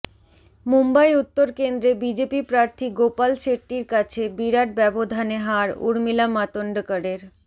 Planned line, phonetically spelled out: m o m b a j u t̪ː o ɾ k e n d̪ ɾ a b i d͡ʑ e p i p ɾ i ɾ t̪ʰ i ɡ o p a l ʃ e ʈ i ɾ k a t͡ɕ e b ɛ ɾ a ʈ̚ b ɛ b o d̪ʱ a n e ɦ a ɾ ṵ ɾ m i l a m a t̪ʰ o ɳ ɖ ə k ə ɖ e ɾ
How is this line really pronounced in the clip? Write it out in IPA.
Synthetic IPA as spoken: m u m b a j u t̪ː o ɾ k e n d̪ ɾ e b i d͡ʑ e p i p ɾ a ɾ t̪ʰ i ɡ o p a l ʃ e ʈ i ɾ k a t͡ɕʰ e b i ɾ a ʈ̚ b ɛ b o d̪ʱ a n e ɦ a ɾ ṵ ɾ m i l a m a t̪ o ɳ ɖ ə k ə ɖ e ɾ